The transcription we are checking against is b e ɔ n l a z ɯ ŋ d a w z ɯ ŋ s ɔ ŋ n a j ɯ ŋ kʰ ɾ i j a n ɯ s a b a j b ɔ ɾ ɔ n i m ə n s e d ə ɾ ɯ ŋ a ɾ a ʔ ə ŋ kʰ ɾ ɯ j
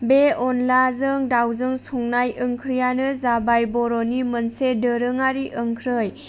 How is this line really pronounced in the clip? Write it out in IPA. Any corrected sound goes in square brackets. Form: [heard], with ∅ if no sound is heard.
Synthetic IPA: b e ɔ n l a z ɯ ŋ d a w z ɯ ŋ s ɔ ŋ n a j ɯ ŋ kʰ ɾ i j a n ɯ [z] a b a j b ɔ ɾ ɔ n i m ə n s e d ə ɾ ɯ ŋ a ɾ [i] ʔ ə ŋ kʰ ɾ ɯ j